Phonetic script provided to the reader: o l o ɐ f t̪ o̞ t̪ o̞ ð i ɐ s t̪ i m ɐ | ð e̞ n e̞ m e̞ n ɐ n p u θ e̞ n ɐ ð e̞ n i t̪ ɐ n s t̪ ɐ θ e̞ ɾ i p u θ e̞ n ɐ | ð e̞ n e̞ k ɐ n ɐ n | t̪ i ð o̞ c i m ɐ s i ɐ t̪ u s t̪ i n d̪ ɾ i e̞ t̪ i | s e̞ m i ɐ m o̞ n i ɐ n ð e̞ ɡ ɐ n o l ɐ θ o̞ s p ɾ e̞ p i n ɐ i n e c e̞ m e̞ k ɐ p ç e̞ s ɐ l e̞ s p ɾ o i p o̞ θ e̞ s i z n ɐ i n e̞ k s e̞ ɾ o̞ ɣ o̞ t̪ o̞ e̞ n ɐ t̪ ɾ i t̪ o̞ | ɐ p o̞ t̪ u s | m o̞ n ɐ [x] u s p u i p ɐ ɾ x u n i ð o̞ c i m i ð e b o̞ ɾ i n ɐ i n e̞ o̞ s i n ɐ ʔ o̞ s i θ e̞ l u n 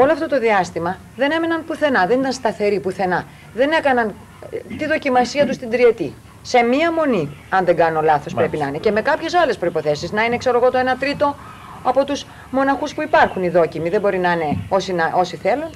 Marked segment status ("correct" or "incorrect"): correct